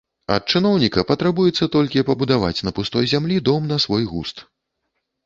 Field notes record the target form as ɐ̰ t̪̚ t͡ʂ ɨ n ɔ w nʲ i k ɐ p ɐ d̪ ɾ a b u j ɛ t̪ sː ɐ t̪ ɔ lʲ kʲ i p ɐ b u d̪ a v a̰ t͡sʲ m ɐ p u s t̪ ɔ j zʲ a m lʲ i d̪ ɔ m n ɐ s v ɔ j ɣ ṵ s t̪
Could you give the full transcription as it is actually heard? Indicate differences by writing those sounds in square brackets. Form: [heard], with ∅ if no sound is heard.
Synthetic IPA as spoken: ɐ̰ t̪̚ t͡ʂ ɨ n ɔ w nʲ i k ɐ p ɐ [t̪] ɾ a b u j ɛ t̪ sː ɐ t̪ ɔ lʲ kʲ i p ɐ b u d̪ a v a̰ t͡sʲ [n] ɐ p u s t̪ ɔ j zʲ a m lʲ i d̪ ɔ m n ɐ s v ɔ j ɣ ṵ s t̪

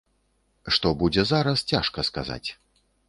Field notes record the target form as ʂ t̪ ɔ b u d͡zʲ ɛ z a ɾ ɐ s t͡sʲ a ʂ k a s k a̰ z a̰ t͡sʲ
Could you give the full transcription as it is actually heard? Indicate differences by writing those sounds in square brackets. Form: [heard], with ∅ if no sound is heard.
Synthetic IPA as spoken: ʂ t̪ ɔ b u d͡zʲ ɛ z a ɾ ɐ s t͡sʲ a ʂ k [ɐ] s k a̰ z a̰ t͡sʲ

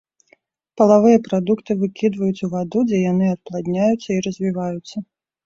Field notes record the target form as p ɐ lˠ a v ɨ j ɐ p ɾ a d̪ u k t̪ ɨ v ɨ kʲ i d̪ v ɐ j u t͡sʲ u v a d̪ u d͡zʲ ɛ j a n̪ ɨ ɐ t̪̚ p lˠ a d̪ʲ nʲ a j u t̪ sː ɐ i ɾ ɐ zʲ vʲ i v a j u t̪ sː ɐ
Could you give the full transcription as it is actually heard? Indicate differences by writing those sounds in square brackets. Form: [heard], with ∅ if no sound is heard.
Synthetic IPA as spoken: p ɐ lˠ a v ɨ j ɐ p ɾ a d̪ u k t̪ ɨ v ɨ kʲ i d̪ v ɐ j u t͡sʲ u v a d̪ u d͡zʲ ɛ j a n̪ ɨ ɐ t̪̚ p lˠ a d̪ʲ nʲ a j u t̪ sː ɐ i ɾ ɐ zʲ vʲ i v a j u t̪ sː ɐ

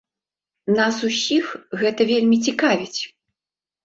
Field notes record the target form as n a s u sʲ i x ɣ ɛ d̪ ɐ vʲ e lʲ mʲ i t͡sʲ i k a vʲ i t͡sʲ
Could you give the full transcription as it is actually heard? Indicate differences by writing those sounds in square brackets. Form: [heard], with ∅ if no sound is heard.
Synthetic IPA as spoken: n a s u sʲ i x ɣ ɛ [t̪] ɐ vʲ e lʲ mʲ i t͡sʲ i k a vʲ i t͡sʲ

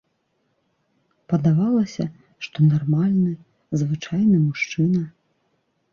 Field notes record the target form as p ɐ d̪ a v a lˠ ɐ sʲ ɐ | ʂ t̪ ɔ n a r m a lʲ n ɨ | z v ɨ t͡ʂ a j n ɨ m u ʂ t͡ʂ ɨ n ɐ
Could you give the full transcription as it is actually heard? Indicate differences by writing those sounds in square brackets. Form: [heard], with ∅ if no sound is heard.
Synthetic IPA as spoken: p ɐ d̪ a v a lˠ ɐ sʲ ɐ | ʂ t̪ ɔ n a r m a lʲ n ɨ | z v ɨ t͡ʂ a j n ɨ m u ʂ t͡ʂ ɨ n ɐ

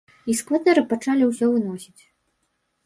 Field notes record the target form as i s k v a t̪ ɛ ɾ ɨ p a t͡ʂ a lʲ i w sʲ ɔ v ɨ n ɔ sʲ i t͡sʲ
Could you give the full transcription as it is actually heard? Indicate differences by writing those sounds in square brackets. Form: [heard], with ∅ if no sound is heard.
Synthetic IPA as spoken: i s k v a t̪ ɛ ɾ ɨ p a t͡ʂ a lʲ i w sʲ ɔ v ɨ n ɔ sʲ i t͡sʲ

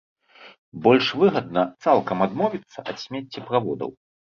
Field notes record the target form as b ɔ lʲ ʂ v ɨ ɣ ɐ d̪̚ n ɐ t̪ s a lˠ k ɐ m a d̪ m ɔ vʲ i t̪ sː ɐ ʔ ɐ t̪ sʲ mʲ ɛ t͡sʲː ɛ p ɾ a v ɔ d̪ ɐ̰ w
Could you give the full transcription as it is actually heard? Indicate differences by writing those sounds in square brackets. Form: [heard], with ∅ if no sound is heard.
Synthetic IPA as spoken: b ɔ lʲ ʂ v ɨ ɣ ɐ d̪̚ n ɐ t̪ s a lˠ k ɐ m a d̪ m ɔ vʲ i t̪ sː ɐ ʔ ɐ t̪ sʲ mʲ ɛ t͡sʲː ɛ p ɾ a v ɔ d̪ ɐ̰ w

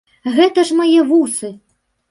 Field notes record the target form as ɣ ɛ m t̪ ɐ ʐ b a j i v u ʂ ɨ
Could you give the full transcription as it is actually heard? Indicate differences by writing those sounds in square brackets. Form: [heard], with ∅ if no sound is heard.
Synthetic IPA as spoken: ɣ ɛ [∅] t̪ ɐ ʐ [m] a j [ɛ] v u [s] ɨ

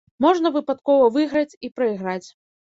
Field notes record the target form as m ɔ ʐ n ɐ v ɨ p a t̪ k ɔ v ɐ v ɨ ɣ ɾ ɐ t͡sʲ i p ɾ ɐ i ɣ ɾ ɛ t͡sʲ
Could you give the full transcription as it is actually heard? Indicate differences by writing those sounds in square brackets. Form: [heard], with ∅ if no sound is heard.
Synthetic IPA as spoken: m ɔ ʐ n ɐ v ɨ p a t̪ k ɔ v ɐ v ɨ ɣ ɾ ɐ t͡sʲ i p ɾ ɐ i ɣ ɾ [a] t͡sʲ

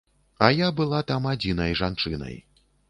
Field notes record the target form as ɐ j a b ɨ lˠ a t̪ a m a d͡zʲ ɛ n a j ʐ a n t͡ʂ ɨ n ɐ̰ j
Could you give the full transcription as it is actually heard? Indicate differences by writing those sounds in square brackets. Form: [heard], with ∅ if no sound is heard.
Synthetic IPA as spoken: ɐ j a b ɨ lˠ a t̪ a m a d͡zʲ [i] n [ɐ] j ʐ a n t͡ʂ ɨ n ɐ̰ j

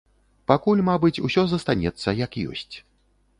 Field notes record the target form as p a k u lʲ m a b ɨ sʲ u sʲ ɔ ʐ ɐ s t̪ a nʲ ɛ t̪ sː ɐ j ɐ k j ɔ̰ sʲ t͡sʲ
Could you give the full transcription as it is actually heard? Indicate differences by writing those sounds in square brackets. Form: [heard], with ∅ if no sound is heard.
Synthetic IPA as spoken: p a k u lʲ m a b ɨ [t͡sʲ] u sʲ ɔ [z] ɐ s t̪ a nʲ ɛ t̪ sː ɐ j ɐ k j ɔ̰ sʲ t͡sʲ

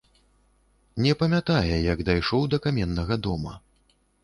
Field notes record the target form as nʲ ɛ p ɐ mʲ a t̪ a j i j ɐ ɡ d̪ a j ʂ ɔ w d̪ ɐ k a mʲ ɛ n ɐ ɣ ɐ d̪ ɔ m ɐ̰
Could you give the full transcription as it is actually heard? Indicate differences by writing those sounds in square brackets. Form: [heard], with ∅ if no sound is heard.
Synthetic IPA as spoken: nʲ ɛ p ɐ mʲ a t̪ a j [ɛ] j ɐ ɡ d̪ a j ʂ ɔ w d̪ ɐ k a mʲ ɛ [nː] ɐ ɣ ɐ d̪ ɔ m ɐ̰

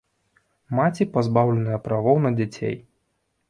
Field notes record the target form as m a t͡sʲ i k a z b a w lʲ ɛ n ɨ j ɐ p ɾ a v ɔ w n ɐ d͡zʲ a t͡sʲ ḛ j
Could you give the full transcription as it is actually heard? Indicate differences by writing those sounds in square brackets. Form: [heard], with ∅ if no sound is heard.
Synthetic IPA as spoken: m a t͡sʲ i [p] a z b a w lʲ ɛ n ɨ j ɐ p ɾ a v ɔ w n ɐ d͡zʲ a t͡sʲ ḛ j

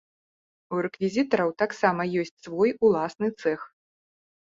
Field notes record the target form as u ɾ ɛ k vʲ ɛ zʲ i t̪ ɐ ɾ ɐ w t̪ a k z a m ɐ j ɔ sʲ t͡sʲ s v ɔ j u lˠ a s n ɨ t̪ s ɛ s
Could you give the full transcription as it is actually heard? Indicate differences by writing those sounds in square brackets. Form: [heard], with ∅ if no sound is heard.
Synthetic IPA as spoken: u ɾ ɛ k vʲ [i] zʲ i t̪ ɐ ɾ ɐ w t̪ a k [s] a m ɐ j ɔ sʲ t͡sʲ s v ɔ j u lˠ a s n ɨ t̪ s ɛ [x]

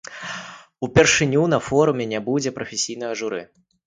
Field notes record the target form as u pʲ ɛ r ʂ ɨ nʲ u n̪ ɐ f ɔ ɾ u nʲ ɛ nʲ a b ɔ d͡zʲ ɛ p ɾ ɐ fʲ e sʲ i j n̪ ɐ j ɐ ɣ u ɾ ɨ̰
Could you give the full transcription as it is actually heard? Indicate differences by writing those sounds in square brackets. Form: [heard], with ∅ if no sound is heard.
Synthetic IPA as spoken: u pʲ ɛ r ʂ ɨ nʲ u n̪ ɐ f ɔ ɾ u [mʲ] ɛ nʲ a b [u] d͡zʲ ɛ p ɾ ɐ fʲ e sʲ i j n̪ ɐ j ɐ [ʐ] u ɾ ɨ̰

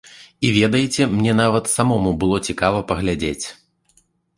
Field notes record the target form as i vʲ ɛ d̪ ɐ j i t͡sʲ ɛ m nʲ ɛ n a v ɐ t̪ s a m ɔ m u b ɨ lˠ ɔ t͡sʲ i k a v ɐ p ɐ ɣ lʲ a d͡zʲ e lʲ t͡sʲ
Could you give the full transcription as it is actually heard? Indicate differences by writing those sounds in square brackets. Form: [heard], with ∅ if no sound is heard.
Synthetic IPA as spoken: i vʲ ɛ d̪ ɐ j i t͡sʲ ɛ m nʲ ɛ n a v ɐ t̪ s a m ɔ m u b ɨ lˠ ɔ t͡sʲ i k a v ɐ p ɐ ɣ lʲ a d͡zʲ e [∅] t͡sʲ

